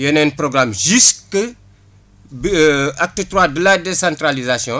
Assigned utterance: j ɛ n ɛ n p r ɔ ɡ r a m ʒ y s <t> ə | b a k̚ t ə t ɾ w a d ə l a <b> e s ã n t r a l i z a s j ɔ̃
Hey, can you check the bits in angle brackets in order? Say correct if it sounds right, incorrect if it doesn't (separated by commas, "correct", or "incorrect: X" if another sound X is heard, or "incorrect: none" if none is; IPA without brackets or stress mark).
incorrect: k, incorrect: d